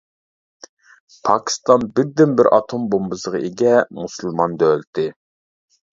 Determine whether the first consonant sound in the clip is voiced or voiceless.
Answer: voiceless